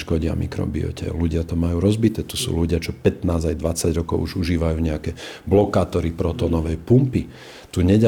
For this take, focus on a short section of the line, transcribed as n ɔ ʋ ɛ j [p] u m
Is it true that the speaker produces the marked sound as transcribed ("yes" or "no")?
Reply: yes